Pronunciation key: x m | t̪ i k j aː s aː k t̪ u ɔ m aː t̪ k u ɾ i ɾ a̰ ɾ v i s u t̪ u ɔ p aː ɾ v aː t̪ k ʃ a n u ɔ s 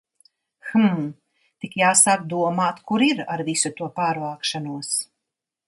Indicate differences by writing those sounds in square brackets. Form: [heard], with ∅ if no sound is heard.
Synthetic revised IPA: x m | t̪ i k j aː s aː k [d̪] u ɔ m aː t̪ k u ɾ i ɾ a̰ ɾ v i s u t̪ u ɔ p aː ɾ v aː [∅] k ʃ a n u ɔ s